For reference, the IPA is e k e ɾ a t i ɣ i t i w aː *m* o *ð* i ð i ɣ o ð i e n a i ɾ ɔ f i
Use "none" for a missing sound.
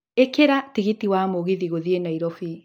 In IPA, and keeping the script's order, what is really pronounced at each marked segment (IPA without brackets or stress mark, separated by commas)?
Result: m, ɣ